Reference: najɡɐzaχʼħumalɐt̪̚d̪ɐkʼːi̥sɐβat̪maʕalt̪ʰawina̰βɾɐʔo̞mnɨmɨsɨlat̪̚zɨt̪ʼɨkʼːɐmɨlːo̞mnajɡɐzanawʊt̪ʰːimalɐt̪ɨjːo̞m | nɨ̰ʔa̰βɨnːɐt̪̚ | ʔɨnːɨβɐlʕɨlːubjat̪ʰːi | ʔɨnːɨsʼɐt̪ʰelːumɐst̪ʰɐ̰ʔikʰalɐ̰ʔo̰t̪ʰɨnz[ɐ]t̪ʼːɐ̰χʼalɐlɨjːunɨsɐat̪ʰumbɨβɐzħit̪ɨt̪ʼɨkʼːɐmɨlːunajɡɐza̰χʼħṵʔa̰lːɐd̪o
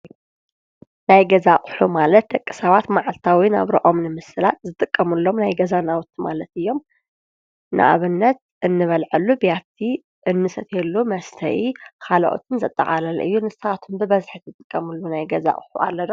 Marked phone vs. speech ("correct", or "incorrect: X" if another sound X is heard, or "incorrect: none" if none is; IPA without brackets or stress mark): correct